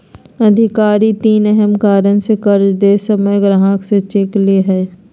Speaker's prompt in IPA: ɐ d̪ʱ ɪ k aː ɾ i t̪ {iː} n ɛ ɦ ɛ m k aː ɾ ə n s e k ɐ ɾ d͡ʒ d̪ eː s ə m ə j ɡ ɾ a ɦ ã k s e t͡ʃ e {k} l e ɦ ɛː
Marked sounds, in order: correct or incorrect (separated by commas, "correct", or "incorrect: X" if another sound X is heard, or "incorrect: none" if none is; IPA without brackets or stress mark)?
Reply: correct, correct